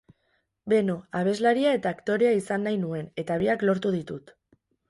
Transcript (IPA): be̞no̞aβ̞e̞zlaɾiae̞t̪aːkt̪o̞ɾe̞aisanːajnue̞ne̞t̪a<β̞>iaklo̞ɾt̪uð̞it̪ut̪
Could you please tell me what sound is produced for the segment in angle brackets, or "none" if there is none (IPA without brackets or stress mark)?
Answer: β̞